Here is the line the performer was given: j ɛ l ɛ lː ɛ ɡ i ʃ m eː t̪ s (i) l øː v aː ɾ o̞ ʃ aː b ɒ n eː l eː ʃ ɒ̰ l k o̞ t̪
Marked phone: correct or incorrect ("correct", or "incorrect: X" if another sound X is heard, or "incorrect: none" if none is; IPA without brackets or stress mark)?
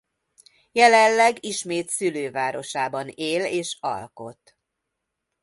incorrect: y